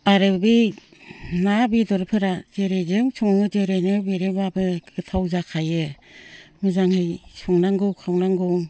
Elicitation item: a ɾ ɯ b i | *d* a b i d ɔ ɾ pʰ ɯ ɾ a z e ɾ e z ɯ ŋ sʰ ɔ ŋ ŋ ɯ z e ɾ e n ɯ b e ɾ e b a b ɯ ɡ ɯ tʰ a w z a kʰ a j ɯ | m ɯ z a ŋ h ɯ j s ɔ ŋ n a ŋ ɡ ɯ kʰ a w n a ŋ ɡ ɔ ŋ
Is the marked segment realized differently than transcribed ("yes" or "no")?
yes